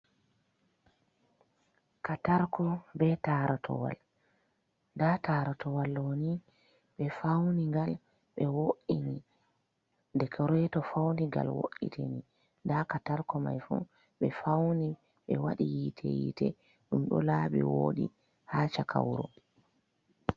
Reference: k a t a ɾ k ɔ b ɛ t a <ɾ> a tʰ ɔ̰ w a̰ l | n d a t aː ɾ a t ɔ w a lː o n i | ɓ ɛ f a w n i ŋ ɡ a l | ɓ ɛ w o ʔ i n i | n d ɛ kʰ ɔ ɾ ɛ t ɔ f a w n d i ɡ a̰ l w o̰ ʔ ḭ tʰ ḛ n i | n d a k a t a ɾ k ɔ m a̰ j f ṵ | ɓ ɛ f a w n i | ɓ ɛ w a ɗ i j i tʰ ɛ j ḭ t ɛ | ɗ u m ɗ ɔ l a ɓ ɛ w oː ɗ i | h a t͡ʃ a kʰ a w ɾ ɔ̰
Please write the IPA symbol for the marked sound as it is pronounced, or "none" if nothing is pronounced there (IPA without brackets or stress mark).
ɾ